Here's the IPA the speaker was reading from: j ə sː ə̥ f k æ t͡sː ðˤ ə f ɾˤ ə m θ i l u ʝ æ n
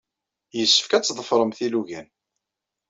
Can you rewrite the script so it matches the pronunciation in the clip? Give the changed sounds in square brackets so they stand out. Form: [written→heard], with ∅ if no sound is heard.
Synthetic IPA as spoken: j ə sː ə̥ f k æ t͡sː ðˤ ə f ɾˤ ə m θ i l u ʝ æ n